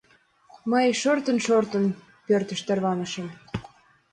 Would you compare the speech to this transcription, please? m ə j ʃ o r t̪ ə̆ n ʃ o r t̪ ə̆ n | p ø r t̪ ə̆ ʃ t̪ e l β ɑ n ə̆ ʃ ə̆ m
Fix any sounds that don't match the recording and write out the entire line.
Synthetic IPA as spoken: m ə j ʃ o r t̪ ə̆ n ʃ o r t̪ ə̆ n | p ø r t̪ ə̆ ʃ t̪ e r β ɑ n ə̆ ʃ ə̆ m